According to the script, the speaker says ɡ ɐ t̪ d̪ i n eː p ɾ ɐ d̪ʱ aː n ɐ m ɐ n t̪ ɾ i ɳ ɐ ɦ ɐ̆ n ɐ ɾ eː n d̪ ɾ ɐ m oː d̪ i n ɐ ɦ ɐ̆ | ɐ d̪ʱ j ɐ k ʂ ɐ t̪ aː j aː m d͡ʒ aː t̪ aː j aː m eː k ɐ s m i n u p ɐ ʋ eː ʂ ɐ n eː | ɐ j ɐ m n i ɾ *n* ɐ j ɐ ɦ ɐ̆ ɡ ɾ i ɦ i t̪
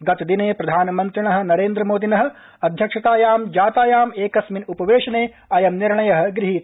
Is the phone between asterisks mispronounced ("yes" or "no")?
yes